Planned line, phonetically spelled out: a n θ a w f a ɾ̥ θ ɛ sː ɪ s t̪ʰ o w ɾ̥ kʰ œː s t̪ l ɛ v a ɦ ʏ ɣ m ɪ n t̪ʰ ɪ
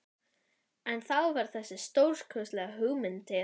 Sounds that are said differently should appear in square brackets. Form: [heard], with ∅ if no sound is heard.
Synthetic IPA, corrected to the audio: [ɛ] n θ a w [v] a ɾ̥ θ ɛ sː ɪ s [t̪] o w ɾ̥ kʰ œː s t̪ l ɛ [ɣ] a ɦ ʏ ɣ m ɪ n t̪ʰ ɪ

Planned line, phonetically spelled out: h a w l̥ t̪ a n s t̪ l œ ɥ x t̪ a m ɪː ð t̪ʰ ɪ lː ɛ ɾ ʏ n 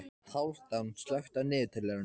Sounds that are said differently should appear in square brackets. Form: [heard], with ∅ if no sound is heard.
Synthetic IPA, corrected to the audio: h a w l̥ t̪ a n s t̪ l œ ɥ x t̪ a [n] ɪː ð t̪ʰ ɪ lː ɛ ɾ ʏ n

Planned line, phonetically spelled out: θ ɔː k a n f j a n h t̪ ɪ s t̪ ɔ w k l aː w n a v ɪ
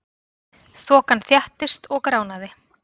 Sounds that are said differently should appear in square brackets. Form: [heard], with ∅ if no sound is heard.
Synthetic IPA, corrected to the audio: θ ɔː k a n [θ] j a [∅] h t̪ ɪ s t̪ ɔ [ɣ] k [ɾ] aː w n a [ð] ɪ

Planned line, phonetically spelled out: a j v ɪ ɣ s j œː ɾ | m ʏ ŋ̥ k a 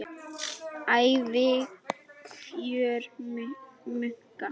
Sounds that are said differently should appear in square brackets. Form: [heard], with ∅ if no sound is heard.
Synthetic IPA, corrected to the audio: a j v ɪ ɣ [f] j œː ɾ | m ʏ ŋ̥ k a

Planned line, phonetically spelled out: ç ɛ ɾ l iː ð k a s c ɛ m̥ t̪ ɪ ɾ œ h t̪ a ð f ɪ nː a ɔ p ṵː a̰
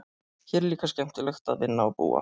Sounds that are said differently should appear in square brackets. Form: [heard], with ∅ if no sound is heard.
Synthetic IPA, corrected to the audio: ç ɛ ɾ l iː [∅] k a s c ɛ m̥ t̪ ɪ [l] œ [x] t̪ a ð [v] ɪ nː a ɔ p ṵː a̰

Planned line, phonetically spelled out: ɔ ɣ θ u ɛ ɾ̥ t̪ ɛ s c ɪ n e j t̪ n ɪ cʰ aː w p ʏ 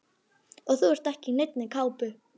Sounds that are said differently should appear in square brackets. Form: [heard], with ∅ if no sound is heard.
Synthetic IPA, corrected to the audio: ɔ ɣ θ u ɛ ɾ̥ t̪ ɛ [h] c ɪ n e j t̪ n ɪ [kʰ] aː w p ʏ

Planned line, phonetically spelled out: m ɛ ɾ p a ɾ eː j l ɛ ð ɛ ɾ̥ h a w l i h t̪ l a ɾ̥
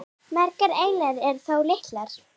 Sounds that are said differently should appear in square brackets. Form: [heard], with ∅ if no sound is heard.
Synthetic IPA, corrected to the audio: m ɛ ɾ [k] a ɾ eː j l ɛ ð ɛ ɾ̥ [θ] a w l [ɪ] h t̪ l a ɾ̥

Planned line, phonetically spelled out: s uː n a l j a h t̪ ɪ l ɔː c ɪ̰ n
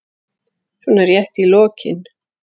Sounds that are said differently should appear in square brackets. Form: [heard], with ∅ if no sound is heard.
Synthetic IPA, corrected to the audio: s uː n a [ɾ] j [ɛ] h t̪ [i] l ɔː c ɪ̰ n

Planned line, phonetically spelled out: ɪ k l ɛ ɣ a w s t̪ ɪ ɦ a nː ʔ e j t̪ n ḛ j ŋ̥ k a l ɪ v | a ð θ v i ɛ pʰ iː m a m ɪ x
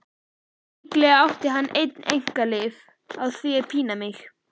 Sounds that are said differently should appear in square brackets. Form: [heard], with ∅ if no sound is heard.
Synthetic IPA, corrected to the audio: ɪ k l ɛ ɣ a w [h] t̪ ɪ ɦ a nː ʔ e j t̪ n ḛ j ŋ̥ k a l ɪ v | a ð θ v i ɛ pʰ iː [n] a m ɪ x

